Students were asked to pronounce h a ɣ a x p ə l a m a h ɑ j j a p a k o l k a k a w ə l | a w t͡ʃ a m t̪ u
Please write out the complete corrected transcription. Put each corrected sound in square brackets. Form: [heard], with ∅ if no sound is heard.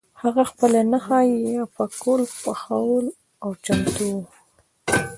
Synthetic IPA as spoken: h a ɣ a x p ə l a [n] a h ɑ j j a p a k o l [p] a [x] a w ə l | a w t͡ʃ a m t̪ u